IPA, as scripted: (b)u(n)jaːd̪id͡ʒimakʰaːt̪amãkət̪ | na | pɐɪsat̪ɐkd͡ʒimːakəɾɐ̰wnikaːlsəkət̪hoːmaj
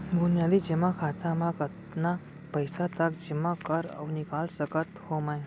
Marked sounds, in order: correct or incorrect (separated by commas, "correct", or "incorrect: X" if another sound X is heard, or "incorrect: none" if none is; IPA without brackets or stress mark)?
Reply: correct, correct